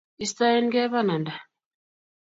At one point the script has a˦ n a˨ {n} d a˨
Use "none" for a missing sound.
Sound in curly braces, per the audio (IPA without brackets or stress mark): n